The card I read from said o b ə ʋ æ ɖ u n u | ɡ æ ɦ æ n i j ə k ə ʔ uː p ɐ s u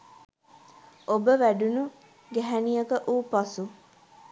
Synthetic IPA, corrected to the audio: o b ə ʋ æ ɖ u n u | ɡ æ ɦ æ n i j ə k ə ʔ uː p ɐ s u